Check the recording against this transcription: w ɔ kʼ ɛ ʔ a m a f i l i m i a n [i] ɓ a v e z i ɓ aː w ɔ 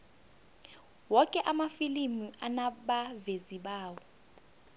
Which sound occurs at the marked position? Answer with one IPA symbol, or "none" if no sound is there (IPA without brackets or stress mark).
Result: a